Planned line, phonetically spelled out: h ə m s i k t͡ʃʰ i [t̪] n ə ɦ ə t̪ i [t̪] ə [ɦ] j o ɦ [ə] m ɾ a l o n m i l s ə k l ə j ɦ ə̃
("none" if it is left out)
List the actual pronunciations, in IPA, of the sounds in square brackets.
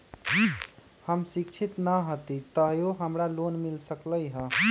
t̪, t̪, ɦ, ə

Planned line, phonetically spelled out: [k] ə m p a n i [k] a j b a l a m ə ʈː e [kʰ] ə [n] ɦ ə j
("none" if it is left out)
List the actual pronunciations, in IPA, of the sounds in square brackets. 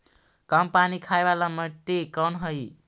k, kʰ, k, n

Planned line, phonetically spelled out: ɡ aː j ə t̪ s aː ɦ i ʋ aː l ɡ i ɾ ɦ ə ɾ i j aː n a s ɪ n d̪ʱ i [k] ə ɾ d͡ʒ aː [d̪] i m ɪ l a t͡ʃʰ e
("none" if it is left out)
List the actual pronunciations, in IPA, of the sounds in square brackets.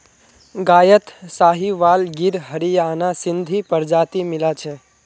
p, t̪

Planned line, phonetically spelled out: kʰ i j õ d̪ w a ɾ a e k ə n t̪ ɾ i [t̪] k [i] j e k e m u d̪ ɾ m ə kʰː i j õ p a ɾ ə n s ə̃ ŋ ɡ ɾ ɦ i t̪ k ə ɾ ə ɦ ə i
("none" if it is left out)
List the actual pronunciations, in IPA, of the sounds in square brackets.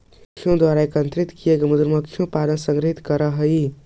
t̪, i

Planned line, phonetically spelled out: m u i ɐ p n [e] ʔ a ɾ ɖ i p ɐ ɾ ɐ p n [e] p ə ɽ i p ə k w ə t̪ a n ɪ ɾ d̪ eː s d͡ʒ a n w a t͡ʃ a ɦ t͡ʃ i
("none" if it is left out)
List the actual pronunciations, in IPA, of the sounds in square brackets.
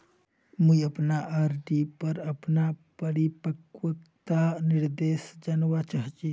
a, a

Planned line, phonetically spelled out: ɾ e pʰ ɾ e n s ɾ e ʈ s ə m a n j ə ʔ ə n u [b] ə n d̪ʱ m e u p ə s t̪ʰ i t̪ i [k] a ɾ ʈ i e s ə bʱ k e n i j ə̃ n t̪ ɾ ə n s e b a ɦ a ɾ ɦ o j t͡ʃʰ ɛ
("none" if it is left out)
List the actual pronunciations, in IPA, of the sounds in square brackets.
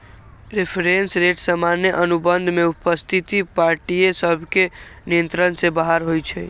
b, p

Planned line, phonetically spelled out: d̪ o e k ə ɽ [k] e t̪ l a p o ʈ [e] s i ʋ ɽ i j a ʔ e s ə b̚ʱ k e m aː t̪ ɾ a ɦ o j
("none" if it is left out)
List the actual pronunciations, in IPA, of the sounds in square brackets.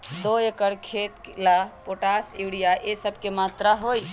kʰ, a

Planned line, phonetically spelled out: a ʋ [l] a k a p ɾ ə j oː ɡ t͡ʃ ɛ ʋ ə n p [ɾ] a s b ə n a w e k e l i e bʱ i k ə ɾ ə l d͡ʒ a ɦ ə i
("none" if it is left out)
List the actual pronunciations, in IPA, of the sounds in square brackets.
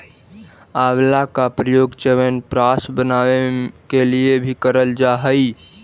l, ɾ

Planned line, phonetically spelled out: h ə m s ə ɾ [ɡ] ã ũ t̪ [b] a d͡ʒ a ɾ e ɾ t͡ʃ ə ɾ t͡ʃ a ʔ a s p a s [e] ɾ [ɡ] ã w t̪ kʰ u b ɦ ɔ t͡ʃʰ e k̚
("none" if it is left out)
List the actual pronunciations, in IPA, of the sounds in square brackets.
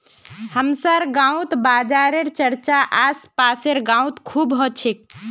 ɡ, b, e, ɡ

